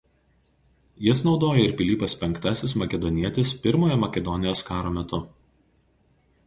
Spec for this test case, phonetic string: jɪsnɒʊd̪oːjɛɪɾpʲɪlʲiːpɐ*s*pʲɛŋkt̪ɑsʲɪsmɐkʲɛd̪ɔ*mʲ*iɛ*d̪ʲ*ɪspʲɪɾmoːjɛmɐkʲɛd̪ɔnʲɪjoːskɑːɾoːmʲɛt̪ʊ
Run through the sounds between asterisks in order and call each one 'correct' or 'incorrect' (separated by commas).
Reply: correct, incorrect, incorrect